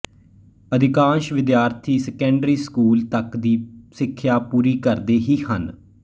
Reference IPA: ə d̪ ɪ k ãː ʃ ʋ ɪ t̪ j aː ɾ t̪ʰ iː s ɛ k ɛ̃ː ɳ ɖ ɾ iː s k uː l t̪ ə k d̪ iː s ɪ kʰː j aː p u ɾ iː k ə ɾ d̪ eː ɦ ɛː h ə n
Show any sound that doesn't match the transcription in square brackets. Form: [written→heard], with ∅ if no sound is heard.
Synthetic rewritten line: ə d̪ ɪ k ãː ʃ ʋ ɪ [t̪→d̪] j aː ɾ t̪ʰ iː s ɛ k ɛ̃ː ɳ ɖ ɾ iː s k uː l t̪ ə k d̪ iː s ɪ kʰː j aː p [u→uː] ɾ iː k ə ɾ d̪ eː ɦ [ɛː→iː] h ə n